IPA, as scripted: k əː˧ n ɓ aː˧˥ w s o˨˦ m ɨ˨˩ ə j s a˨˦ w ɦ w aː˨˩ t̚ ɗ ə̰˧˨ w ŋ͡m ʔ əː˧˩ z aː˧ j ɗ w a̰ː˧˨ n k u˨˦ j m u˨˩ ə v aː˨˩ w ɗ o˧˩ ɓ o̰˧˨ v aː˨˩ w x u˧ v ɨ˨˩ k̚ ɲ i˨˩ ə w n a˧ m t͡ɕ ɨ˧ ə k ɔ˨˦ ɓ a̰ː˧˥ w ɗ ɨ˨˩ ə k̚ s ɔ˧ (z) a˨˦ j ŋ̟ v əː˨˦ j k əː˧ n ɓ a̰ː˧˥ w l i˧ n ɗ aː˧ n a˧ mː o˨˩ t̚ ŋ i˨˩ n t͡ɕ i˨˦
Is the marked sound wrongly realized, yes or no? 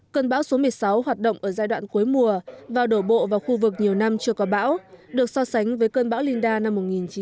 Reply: yes